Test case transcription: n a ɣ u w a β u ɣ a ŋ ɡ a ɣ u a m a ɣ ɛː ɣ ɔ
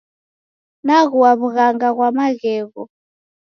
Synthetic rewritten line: n a ɣ u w a β u ɣ a ŋ ɡ a ɣ w a m a ɣ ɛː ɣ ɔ